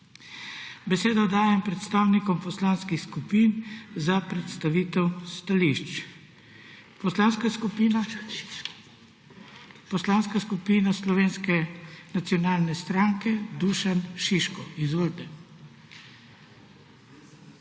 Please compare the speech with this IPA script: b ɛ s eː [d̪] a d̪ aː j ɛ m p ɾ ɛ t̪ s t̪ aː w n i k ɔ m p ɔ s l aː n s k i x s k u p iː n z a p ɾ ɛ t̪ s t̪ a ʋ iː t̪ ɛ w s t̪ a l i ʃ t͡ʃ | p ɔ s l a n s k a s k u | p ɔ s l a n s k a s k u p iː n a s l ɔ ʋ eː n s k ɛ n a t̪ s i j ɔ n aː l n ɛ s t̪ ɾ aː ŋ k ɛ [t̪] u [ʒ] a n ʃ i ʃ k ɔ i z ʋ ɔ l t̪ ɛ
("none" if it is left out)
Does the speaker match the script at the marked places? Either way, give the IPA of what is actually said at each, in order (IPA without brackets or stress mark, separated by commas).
d̪, d̪, ʃ